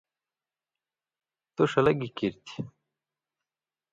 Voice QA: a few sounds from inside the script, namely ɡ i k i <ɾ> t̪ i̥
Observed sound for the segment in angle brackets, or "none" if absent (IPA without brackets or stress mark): ɾ